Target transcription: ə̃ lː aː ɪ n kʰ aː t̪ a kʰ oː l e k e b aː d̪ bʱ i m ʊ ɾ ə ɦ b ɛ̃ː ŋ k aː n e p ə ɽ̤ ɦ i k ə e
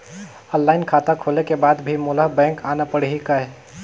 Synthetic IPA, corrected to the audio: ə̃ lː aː ɪ n kʰ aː t̪ a kʰ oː l e k e b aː d̪ bʱ i m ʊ l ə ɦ b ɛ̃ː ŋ k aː n a p ə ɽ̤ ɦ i k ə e